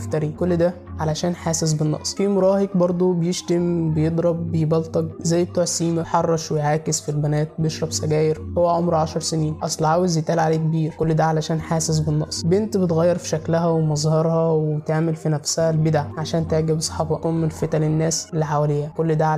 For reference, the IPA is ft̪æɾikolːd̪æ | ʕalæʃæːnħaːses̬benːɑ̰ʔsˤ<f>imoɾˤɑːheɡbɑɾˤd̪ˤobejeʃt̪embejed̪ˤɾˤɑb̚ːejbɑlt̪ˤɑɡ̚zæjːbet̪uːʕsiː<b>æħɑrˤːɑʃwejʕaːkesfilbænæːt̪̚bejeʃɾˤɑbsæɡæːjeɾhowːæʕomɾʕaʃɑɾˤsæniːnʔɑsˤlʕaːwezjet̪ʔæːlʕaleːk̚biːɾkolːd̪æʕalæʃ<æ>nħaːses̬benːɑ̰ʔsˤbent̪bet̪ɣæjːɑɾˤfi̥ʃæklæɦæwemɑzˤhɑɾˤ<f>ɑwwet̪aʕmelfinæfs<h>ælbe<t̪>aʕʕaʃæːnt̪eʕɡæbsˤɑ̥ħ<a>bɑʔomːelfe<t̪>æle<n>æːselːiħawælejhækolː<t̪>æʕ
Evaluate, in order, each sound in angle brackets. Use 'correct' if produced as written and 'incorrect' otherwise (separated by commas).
correct, incorrect, incorrect, incorrect, correct, incorrect, incorrect, correct, incorrect, incorrect